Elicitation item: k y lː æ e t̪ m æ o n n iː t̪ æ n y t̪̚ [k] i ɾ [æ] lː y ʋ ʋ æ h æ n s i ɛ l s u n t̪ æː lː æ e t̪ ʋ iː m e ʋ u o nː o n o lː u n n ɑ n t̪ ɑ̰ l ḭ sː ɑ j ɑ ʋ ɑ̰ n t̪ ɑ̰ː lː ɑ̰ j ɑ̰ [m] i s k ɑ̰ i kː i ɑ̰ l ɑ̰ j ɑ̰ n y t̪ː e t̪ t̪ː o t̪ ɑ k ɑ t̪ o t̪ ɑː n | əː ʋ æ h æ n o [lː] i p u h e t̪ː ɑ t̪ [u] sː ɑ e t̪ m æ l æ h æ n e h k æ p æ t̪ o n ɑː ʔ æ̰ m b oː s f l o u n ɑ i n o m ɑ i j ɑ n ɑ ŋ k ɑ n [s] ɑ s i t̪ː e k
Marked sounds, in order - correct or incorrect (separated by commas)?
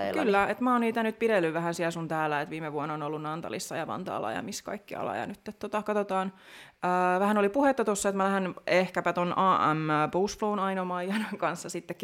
incorrect, incorrect, correct, incorrect, incorrect, incorrect